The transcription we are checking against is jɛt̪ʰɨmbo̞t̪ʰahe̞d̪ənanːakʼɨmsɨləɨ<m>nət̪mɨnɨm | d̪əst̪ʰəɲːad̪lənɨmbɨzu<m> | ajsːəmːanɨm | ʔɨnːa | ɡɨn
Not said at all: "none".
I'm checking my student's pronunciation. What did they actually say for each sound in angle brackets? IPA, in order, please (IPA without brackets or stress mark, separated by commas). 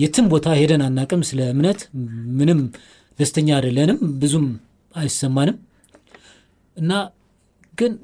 m, m